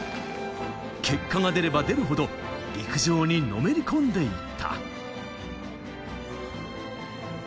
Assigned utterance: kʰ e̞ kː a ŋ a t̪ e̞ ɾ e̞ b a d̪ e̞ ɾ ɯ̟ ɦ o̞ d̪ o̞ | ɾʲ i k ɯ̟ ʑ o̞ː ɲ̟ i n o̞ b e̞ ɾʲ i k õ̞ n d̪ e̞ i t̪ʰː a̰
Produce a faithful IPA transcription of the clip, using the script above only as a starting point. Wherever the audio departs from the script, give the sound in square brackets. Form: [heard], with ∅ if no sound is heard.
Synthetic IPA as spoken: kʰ e̞ kː a ŋ a [d̪] e̞ ɾ e̞ b a d̪ e̞ ɾ ɯ̟ ɦ o̞ d̪ o̞ | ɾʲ i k ɯ̟ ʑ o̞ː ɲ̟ i n o̞ [m] e̞ ɾʲ i k õ̞ n d̪ e̞ i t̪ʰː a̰